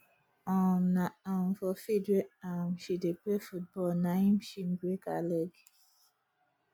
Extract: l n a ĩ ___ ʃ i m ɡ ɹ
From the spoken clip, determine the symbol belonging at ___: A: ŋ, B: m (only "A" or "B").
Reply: B